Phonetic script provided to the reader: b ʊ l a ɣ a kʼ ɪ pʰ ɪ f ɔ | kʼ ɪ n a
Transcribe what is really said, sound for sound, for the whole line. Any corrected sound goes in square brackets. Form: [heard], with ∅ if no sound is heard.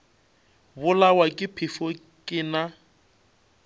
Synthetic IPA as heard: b ʊ l a [w] a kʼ ɪ pʰ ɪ f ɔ | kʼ ɪ n a